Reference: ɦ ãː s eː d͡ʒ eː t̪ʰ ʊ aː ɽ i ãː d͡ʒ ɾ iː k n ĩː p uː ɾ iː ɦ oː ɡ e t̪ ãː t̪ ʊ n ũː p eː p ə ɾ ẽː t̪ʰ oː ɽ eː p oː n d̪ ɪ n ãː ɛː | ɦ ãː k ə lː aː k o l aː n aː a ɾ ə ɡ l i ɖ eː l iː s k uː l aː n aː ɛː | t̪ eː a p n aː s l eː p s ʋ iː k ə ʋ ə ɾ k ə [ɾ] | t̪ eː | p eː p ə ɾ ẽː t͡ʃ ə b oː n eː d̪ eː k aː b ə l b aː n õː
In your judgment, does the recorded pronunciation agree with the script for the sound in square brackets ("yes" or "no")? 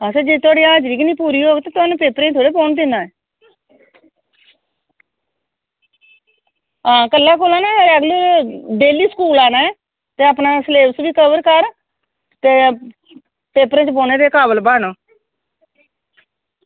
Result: yes